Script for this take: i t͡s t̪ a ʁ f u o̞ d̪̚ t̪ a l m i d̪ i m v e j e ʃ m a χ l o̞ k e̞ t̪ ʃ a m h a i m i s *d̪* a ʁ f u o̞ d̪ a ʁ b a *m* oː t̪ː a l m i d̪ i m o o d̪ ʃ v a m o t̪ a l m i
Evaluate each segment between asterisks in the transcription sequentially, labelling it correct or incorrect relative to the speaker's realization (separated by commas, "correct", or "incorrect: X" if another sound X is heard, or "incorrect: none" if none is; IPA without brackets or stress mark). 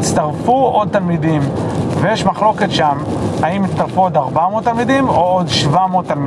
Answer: incorrect: t̪, correct